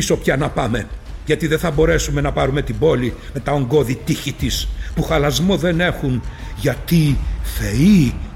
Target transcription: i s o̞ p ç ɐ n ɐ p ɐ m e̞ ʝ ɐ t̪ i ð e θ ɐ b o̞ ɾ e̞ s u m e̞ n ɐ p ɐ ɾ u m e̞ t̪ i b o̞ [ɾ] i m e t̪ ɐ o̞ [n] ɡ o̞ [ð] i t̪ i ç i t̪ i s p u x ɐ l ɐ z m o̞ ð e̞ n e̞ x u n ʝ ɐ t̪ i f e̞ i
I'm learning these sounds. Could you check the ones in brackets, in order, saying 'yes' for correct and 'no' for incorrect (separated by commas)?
no, no, yes